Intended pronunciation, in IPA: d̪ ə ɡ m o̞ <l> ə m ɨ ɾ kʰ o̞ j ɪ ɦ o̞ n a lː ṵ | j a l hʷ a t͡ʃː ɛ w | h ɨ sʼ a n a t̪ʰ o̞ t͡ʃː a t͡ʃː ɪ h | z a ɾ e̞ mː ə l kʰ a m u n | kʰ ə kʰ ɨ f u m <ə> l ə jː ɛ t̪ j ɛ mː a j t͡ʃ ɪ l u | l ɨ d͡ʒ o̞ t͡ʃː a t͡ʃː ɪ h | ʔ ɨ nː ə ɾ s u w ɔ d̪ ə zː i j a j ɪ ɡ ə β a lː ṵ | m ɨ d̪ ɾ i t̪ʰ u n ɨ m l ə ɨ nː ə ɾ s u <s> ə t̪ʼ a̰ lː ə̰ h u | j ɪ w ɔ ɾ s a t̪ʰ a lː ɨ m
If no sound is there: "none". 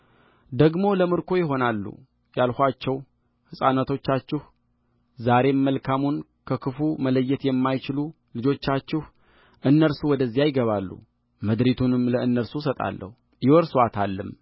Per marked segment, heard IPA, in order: l, ə, s

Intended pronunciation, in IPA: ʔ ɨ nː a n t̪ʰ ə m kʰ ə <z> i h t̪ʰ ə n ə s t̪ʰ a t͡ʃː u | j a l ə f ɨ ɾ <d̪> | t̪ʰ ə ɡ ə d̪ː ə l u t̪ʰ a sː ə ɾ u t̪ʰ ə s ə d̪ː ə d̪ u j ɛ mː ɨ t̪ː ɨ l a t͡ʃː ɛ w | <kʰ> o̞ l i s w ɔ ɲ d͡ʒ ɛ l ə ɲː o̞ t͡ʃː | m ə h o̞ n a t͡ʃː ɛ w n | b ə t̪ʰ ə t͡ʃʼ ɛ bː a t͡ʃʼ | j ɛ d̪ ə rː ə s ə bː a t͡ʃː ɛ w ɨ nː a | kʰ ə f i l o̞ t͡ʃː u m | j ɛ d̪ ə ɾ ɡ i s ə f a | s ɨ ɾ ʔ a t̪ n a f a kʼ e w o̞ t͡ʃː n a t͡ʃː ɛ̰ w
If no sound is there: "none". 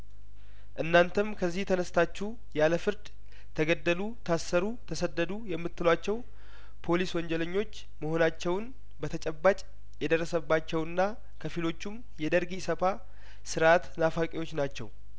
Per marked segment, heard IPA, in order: zː, d̪, pʰ

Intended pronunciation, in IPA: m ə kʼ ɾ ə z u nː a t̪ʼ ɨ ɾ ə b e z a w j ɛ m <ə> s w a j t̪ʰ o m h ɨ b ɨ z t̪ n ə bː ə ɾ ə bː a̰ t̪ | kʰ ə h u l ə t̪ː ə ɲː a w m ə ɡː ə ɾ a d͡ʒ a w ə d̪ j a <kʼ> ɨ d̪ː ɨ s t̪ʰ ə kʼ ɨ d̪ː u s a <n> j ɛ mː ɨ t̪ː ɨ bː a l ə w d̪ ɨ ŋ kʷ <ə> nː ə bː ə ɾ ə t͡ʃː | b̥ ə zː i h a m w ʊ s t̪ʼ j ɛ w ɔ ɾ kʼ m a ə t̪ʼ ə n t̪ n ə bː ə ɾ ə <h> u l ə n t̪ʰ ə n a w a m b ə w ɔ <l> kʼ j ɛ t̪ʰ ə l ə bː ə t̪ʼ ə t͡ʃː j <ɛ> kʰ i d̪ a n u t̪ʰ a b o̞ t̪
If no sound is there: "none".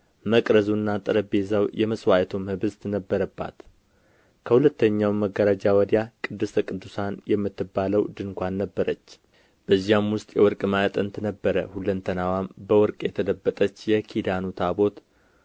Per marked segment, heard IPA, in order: ə, kʼ, n, a, h, ɾ, ɛ

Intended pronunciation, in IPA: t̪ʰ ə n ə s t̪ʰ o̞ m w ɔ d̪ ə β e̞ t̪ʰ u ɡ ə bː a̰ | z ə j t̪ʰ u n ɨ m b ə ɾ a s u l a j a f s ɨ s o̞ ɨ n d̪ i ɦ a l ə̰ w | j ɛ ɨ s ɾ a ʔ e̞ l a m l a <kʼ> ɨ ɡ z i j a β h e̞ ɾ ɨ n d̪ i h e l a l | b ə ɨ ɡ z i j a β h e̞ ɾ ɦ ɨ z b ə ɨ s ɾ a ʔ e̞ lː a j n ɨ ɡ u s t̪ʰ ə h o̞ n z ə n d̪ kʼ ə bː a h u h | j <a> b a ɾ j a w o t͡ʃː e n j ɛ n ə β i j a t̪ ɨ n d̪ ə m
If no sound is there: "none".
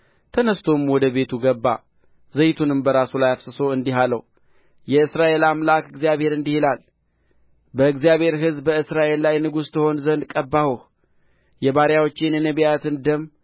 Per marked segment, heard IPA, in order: k, ɛ

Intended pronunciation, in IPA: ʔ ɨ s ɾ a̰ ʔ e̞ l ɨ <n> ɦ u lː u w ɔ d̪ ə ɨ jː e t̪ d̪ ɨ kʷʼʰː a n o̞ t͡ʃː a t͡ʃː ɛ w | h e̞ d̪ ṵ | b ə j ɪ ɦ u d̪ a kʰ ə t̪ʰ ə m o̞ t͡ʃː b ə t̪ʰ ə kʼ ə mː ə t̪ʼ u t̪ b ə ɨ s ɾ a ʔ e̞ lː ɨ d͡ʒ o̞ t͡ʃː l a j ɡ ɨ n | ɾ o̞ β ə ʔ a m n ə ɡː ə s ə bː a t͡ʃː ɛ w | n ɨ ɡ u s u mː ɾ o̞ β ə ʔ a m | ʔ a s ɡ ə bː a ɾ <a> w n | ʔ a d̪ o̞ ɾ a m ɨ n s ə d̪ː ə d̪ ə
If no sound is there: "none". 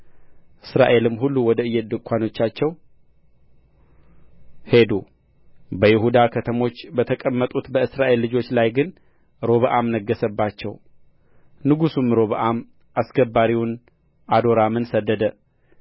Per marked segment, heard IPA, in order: m, i

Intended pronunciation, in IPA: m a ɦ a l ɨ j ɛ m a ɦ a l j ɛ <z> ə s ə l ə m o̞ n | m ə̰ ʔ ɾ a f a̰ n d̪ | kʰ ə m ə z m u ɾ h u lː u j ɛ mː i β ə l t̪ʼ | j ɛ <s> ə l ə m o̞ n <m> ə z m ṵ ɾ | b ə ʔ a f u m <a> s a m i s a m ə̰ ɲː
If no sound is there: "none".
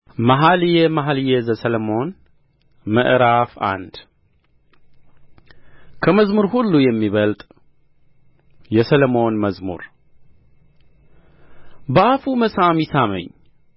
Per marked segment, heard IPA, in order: z, s, m, ə

